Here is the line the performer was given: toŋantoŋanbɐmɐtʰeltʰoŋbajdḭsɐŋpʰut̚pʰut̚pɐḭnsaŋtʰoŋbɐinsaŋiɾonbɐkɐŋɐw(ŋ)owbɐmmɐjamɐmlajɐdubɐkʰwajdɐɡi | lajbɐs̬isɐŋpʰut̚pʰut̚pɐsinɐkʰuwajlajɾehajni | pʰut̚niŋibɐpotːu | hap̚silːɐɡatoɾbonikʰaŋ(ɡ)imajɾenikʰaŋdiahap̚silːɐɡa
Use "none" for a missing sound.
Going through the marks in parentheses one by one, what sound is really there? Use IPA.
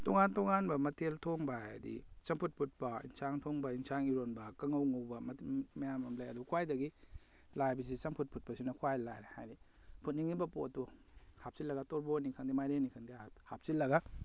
ŋ, d

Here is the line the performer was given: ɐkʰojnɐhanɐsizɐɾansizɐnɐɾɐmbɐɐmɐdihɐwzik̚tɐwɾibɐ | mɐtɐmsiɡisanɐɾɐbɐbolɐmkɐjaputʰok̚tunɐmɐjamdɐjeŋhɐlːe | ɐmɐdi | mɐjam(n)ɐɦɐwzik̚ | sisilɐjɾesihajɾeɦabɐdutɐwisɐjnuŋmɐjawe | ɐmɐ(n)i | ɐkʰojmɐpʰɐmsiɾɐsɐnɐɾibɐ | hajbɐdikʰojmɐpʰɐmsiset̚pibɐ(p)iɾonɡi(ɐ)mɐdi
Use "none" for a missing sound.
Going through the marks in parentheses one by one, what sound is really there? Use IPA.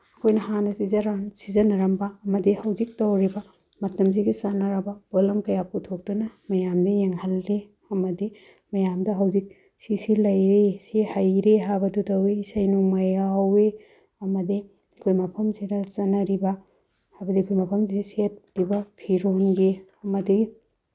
d, d, pʰ, ɐ

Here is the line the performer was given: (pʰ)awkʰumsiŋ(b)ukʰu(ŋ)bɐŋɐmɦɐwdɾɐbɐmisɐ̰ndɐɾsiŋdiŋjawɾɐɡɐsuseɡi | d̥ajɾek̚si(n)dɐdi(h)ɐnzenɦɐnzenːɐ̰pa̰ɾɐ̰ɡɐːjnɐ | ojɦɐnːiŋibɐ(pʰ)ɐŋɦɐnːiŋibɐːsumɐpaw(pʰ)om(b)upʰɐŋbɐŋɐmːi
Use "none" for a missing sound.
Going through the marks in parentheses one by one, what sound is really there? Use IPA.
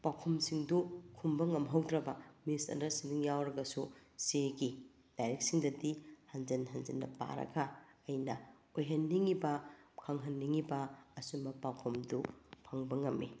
p, d, m, ŋ, h, kʰ, kʰ, d

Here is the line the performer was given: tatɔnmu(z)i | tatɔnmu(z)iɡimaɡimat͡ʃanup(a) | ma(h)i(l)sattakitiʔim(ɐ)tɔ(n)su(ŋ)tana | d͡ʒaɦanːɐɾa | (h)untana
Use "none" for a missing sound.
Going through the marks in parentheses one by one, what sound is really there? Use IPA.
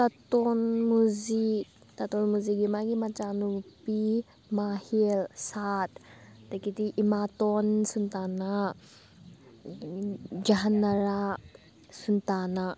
z, z, i, h, l, a, n, n, s

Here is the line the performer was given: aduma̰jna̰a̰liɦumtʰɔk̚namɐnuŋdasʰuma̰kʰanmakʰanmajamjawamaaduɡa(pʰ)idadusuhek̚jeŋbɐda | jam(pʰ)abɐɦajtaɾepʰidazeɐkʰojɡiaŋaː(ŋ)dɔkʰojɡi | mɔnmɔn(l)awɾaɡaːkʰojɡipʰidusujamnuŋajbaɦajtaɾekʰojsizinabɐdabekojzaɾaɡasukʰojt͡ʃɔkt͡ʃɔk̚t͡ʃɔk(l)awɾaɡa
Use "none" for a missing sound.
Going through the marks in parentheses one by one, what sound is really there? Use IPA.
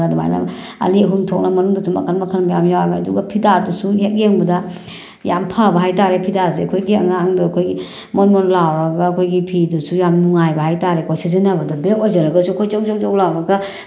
pʰ, pʰ, ŋ, l, l

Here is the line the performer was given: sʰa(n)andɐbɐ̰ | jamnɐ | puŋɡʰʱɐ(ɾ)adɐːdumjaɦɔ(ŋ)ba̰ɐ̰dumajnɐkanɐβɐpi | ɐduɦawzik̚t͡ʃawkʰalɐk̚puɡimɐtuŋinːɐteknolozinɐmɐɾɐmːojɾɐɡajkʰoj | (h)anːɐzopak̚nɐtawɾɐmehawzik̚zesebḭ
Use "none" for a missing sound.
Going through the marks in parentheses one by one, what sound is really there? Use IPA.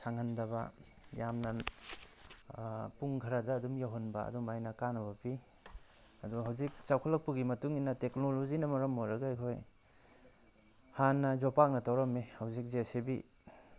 ŋ, ɾ, n, h

